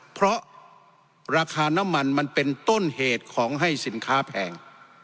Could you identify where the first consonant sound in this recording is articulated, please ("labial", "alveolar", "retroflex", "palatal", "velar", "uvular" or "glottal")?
labial